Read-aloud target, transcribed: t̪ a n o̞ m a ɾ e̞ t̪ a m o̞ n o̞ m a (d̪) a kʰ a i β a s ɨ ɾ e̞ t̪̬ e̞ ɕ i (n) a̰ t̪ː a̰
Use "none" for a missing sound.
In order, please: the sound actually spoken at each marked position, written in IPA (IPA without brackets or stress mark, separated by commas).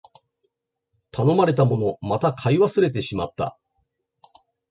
t̪, m